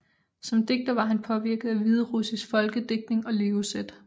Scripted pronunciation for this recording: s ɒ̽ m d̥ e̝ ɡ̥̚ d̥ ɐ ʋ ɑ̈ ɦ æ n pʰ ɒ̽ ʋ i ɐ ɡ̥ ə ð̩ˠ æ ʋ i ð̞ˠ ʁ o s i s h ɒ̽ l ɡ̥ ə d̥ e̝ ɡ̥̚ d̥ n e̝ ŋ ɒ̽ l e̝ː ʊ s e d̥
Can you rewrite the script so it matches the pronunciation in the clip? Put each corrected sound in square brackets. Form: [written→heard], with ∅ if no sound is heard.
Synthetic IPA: s ɒ̽ m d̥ e̝ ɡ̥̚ d̥ ɐ ʋ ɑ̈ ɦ æ n pʰ ɒ̽ ʋ i ɐ ɡ̥ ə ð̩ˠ æ ʋ i ð̞ˠ ʁ [o→u] s i s [h→f] ɒ̽ l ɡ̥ ə d̥ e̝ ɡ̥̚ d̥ n e̝ ŋ ɒ̽ l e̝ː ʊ s e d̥